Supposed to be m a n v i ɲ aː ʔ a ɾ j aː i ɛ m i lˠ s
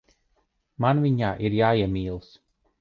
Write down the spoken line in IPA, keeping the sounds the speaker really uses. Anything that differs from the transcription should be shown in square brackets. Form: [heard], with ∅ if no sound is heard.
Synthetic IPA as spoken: m a n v i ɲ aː ʔ [i] ɾ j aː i ɛ m [iː] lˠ s